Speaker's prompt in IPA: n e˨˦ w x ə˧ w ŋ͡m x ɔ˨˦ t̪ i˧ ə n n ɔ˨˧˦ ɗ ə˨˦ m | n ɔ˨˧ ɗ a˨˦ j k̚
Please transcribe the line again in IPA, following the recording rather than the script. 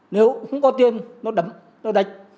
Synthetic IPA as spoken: n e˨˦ w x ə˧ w ŋ͡m k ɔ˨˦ t̪ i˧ ə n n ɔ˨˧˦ ɗ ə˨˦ m | n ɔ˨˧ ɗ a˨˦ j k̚